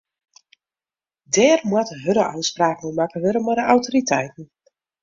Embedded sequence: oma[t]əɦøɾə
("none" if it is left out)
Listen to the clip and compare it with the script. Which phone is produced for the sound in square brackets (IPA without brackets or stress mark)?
k